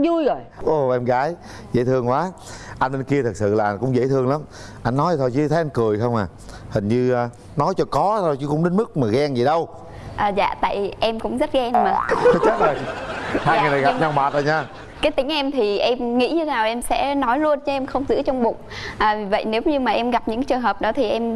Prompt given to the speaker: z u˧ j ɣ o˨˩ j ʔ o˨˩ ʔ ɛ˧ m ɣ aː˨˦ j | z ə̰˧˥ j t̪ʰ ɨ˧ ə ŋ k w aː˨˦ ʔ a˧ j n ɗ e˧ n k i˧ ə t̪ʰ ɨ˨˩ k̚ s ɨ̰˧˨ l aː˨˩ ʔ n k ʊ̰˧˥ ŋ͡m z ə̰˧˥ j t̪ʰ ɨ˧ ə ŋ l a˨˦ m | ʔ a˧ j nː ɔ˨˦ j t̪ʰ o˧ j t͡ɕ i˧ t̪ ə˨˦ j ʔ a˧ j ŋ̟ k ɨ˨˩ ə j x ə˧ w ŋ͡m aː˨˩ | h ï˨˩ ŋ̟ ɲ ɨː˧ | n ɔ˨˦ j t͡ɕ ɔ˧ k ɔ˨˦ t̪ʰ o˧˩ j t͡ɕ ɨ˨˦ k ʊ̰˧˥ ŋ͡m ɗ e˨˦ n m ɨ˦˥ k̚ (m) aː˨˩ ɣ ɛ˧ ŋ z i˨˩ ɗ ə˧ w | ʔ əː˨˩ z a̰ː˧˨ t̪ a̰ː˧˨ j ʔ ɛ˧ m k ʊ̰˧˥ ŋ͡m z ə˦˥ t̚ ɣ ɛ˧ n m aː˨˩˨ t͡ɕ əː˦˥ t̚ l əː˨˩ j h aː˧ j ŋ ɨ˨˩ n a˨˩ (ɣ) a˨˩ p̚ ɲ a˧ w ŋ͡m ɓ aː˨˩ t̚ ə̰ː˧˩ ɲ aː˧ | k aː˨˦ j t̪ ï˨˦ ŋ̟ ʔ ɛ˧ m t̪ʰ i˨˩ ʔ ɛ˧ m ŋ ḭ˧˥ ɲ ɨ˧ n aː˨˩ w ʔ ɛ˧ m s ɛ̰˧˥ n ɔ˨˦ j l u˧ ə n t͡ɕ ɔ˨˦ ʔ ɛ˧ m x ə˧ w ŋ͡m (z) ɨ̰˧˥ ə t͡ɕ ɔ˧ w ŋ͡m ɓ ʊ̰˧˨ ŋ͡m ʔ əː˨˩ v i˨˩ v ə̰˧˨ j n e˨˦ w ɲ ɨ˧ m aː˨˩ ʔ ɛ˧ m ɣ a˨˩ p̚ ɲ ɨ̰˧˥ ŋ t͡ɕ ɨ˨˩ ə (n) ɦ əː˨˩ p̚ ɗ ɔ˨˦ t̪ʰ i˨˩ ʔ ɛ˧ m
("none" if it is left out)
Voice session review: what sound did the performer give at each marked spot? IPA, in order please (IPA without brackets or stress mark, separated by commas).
m, ɣ, z, ŋ